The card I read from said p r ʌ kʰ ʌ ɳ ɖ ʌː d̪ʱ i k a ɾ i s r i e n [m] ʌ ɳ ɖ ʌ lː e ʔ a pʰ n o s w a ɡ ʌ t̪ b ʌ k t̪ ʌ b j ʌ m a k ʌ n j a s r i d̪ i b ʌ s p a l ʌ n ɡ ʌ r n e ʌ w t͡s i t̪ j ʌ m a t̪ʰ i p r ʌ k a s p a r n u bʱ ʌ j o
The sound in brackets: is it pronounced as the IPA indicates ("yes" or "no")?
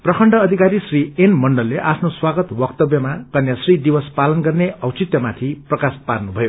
yes